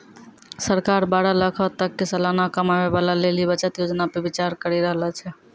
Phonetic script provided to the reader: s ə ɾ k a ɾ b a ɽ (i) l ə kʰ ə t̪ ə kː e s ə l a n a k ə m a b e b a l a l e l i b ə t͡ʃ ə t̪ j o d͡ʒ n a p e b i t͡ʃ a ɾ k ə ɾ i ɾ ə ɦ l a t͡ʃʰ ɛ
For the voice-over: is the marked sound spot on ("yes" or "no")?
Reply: no